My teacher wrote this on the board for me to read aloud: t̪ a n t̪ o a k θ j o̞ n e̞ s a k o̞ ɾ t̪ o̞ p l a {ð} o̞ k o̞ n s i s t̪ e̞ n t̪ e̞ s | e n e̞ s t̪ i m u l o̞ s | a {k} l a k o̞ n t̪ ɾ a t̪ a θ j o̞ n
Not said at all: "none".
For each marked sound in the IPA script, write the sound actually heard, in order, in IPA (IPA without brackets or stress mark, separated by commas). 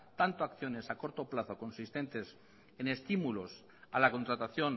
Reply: θ, none